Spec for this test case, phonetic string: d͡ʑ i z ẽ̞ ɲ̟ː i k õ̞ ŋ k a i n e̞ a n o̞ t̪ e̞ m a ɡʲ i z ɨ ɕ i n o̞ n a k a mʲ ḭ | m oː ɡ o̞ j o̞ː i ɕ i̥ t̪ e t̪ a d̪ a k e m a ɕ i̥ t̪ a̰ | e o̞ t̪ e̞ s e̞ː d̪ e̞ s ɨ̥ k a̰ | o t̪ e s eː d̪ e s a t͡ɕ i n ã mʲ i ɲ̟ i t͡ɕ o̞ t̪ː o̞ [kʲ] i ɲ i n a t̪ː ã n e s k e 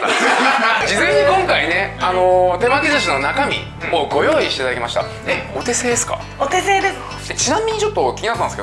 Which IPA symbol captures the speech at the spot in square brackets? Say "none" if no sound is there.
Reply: kʲ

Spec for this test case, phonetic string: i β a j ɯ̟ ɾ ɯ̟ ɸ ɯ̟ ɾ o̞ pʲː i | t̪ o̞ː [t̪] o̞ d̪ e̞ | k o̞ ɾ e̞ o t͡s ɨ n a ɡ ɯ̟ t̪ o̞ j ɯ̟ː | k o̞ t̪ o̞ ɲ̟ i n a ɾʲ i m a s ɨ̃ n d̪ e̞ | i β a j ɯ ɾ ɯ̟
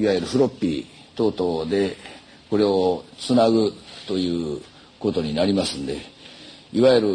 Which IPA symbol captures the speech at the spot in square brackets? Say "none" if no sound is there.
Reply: t̪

